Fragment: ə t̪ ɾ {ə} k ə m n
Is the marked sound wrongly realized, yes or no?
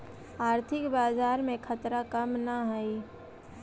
yes